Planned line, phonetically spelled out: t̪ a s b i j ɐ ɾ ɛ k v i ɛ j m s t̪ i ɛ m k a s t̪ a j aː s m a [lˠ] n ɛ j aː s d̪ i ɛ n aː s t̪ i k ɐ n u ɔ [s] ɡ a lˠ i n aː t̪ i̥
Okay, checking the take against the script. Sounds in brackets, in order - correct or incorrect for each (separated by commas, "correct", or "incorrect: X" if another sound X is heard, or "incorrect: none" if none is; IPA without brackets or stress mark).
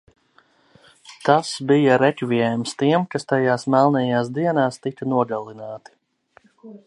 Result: correct, incorrect: none